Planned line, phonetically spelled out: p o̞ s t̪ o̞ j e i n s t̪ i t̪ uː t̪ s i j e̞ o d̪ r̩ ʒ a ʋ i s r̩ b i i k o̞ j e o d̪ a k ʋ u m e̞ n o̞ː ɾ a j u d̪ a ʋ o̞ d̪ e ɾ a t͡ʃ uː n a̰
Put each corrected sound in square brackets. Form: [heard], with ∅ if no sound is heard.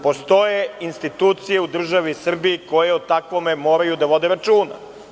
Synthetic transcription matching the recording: p o̞ s t̪ o̞ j e i n s t̪ i t̪ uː t̪ s i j e̞ [u] d̪ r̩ ʒ a ʋ i s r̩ b i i k o̞ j e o [t̪] a k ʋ [o] m e̞ [m] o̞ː ɾ a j u d̪ a ʋ o̞ d̪ e ɾ a t͡ʃ uː n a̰